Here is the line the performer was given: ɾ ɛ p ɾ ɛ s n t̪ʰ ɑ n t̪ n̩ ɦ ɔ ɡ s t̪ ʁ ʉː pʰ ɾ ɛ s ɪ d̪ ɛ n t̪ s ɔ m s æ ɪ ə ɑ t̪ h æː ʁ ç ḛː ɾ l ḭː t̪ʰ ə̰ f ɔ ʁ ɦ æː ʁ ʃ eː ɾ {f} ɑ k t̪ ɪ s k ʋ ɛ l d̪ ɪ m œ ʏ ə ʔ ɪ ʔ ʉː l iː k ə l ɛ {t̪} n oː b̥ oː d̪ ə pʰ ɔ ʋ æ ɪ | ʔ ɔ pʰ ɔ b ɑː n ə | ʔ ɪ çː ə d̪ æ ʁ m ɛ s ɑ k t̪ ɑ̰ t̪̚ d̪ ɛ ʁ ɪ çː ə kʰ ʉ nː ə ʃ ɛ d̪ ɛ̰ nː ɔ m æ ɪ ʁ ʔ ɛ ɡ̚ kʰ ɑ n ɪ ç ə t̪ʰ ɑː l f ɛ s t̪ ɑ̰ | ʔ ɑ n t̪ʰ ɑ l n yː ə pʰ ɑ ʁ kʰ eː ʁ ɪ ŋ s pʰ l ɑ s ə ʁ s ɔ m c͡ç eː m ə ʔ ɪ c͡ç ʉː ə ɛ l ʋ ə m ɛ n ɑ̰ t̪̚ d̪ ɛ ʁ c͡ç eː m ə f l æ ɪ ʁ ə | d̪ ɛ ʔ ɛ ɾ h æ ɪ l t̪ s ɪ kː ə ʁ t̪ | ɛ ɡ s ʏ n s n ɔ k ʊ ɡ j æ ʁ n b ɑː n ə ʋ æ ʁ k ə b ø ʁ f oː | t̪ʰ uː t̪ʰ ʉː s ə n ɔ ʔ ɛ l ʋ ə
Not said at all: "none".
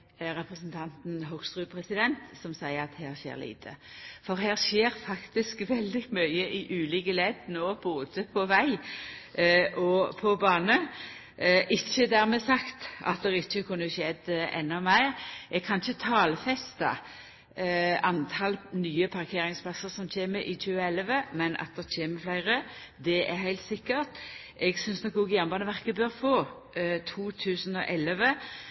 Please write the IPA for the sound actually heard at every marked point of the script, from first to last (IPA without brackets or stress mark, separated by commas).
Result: f, d̪